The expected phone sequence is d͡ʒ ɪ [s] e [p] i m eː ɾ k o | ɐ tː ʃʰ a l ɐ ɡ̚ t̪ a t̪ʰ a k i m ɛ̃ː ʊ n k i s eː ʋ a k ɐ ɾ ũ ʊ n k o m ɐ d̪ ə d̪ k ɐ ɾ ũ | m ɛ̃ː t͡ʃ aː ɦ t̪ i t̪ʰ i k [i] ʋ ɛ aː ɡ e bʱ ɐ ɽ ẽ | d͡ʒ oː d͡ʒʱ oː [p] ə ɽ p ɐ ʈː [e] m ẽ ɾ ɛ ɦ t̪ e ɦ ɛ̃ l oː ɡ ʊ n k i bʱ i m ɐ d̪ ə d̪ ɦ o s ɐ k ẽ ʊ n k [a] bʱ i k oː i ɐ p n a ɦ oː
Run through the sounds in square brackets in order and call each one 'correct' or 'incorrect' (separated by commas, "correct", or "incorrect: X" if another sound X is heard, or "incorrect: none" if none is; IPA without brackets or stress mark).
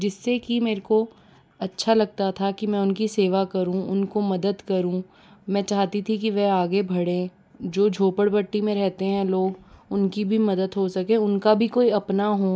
incorrect: sː, incorrect: k, correct, correct, incorrect: i, correct